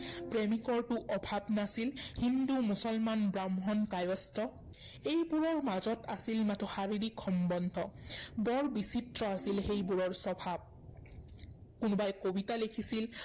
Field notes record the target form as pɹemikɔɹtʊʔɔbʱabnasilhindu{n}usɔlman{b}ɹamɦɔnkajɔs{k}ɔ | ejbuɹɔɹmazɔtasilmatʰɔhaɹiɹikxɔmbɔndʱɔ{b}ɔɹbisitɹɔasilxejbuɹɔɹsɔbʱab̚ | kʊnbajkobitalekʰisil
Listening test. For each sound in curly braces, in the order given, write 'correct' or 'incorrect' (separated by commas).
incorrect, correct, incorrect, correct